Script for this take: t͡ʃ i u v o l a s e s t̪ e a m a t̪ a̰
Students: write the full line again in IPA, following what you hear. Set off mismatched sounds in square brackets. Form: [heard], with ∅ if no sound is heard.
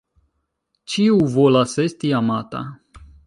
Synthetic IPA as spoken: t͡ʃ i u v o l a s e s t̪ [i] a m a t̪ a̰